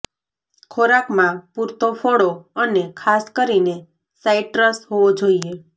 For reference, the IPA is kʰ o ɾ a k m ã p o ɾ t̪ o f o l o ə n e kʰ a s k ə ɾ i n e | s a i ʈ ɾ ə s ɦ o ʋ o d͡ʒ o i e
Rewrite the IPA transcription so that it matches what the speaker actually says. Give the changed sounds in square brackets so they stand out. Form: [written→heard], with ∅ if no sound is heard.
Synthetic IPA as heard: kʰ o ɾ a k m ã p [o→u] ɾ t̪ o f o [l→ɽ] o ə n e kʰ a s k ə ɾ i n e | s a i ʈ ɾ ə s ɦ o ʋ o d͡ʒ o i e